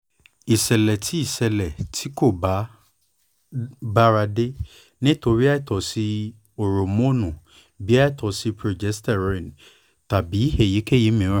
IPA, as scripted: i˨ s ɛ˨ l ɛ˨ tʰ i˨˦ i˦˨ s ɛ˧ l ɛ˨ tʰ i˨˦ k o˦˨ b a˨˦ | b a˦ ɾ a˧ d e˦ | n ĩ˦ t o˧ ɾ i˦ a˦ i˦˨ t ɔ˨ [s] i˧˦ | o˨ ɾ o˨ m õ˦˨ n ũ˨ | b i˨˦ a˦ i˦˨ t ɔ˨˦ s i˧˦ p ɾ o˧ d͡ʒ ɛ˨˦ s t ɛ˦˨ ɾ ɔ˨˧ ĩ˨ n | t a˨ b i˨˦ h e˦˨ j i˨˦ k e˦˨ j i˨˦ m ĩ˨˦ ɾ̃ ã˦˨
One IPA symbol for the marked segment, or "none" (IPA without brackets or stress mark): s